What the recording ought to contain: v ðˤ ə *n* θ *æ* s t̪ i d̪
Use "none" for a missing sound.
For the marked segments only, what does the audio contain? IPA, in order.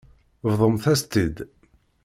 m, æ

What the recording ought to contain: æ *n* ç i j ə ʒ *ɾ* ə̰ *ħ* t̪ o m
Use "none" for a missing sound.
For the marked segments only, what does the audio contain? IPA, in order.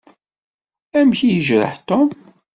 m, ɾ, ħ

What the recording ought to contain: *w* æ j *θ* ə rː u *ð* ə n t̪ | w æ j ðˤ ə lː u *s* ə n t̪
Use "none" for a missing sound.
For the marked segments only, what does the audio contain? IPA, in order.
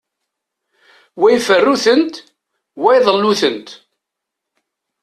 w, f, θ, θ

